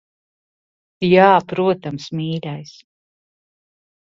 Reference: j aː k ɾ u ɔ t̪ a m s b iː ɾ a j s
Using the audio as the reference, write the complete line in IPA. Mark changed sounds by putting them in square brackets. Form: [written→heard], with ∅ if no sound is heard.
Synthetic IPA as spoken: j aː [k→p] ɾ u ɔ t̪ a m s [b→m] iː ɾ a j s